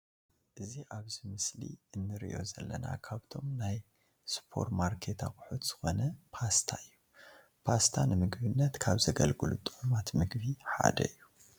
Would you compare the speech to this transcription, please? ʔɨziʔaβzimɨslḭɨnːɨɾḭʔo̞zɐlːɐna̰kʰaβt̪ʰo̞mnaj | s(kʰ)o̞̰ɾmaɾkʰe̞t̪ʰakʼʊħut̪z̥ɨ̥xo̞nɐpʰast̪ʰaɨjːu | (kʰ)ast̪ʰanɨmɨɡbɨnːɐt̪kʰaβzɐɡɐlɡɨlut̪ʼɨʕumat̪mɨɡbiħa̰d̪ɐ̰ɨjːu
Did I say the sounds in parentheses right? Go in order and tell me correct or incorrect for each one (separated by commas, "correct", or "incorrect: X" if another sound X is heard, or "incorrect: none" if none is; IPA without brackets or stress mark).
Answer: incorrect: pʰ, incorrect: pʰ